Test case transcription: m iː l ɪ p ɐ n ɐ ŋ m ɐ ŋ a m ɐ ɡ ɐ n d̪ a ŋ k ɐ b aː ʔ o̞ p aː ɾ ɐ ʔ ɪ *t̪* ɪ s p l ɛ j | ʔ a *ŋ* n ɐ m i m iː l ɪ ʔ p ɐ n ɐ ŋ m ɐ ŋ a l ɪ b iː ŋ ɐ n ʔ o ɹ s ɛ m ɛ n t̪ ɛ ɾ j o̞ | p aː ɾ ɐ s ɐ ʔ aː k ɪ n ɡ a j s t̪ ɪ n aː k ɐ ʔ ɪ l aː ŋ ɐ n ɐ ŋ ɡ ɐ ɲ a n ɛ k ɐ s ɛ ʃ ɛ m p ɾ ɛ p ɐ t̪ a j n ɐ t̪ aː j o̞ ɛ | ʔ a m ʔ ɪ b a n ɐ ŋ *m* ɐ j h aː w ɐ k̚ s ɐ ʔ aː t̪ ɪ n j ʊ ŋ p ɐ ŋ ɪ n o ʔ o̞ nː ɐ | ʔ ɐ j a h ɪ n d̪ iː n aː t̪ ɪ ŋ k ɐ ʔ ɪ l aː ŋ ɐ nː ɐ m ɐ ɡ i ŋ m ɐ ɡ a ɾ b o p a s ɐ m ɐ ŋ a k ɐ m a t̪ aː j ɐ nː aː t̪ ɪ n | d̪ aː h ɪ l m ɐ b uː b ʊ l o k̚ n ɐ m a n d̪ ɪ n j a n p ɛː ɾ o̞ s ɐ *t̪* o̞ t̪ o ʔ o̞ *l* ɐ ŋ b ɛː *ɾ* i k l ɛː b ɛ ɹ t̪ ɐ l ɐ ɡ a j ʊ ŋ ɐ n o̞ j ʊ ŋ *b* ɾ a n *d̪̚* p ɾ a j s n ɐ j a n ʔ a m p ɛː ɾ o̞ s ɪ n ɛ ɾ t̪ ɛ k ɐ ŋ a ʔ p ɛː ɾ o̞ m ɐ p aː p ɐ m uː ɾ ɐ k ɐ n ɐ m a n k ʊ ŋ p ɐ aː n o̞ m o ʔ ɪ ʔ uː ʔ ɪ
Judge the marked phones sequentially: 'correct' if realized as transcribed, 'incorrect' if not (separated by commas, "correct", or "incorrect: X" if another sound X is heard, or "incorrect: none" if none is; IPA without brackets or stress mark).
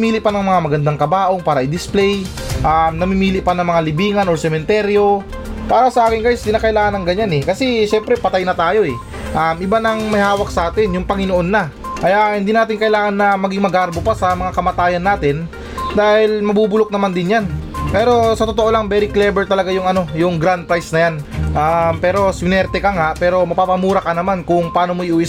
incorrect: d̪, incorrect: m, correct, correct, correct, correct, incorrect: ɡ, correct